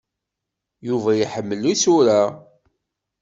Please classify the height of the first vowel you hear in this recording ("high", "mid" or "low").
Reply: high